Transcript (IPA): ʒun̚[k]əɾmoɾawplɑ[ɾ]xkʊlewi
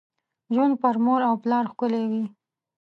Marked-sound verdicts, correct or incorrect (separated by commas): incorrect, correct